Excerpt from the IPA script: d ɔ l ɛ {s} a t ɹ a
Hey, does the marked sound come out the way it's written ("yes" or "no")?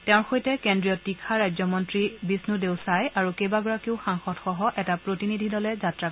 no